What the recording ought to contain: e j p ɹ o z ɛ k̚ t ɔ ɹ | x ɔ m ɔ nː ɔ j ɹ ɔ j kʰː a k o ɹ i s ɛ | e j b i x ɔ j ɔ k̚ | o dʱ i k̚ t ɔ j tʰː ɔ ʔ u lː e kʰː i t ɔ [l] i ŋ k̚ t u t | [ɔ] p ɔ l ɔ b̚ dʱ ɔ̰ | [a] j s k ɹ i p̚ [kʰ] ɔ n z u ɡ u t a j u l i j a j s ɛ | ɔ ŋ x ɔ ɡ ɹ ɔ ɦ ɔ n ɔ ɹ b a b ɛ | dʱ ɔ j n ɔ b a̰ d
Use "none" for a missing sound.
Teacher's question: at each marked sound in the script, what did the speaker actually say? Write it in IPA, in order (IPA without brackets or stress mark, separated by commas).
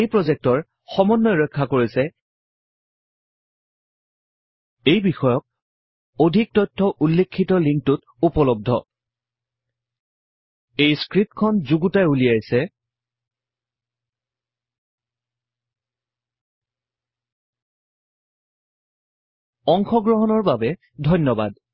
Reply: l, u, e, kʰ